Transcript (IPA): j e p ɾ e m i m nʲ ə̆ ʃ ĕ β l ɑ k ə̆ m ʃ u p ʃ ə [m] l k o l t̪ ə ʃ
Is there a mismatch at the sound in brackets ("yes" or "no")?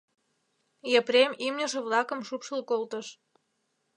yes